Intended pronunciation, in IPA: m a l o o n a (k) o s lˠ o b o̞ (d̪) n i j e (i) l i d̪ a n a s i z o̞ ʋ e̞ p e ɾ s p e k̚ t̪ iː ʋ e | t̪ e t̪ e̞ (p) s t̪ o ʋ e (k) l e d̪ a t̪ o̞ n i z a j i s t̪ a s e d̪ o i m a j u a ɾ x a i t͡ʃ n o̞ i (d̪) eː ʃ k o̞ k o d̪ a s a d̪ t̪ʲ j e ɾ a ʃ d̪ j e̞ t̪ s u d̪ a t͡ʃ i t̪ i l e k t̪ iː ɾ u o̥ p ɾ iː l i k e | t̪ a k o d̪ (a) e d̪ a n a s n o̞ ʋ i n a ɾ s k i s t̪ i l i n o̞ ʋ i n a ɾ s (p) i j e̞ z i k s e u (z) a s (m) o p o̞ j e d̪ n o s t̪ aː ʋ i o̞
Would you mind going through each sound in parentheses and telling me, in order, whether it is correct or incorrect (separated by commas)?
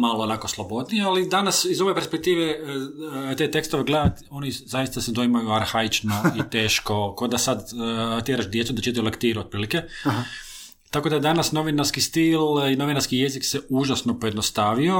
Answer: correct, correct, incorrect, incorrect, incorrect, incorrect, correct, incorrect, incorrect, incorrect